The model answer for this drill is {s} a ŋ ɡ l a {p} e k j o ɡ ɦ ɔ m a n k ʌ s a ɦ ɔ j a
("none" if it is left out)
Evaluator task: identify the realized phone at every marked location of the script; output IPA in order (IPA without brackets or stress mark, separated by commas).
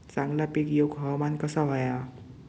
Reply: t͡s, p